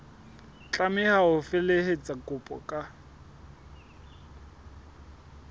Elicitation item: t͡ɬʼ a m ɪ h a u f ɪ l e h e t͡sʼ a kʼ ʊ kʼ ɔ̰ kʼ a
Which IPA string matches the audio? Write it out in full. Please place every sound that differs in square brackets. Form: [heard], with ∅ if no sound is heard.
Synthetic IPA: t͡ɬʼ a m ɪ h a [ʊ] f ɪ l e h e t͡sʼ a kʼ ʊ [pʼ] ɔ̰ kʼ a